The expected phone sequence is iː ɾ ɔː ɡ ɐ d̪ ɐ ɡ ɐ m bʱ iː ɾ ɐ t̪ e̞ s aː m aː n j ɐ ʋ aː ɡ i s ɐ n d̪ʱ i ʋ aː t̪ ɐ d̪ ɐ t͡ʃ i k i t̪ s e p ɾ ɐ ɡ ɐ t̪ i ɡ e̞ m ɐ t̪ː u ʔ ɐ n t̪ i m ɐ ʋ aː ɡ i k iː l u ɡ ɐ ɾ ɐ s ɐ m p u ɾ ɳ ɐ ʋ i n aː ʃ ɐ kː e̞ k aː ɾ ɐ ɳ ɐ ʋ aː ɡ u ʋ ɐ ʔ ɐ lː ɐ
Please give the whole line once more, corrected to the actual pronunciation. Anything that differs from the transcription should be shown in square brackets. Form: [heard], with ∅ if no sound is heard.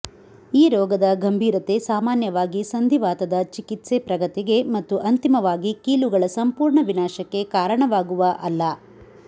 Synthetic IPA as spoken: iː ɾ ɔː ɡ ɐ d̪ ɐ ɡ ɐ m bʱ iː ɾ ɐ t̪ e̞ s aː m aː n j ɐ ʋ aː ɡ i s ɐ n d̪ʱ i ʋ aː t̪ ɐ d̪ ɐ t͡ʃ i k i t̪ s e p ɾ ɐ ɡ ɐ t̪ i ɡ e̞ m ɐ t̪ː u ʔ ɐ n t̪ i m ɐ ʋ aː ɡ i k iː l u ɡ ɐ [ɭ] ɐ s ɐ m p [uː] ɾ ɳ ɐ ʋ i n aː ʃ ɐ kː e̞ k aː ɾ ɐ ɳ ɐ ʋ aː ɡ u ʋ ɐ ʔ ɐ lː ɐ